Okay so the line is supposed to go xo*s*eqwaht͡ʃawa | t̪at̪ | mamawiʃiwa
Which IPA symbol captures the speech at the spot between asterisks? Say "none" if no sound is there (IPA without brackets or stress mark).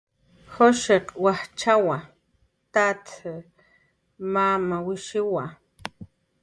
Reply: ʃ